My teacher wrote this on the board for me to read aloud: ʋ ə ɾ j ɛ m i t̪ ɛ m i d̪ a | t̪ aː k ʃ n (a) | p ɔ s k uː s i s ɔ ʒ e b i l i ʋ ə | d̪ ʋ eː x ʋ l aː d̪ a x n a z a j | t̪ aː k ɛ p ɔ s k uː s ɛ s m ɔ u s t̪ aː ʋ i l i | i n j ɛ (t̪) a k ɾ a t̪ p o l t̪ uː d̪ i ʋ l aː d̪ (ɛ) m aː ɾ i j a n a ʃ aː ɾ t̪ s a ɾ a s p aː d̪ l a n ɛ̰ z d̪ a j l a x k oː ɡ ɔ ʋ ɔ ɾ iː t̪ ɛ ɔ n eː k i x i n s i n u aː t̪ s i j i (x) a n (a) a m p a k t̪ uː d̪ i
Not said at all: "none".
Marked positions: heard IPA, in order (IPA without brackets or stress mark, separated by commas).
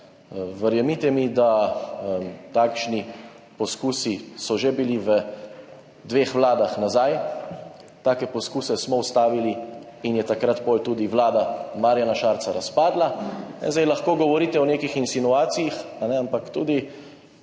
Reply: i, t̪, a, x, ɛ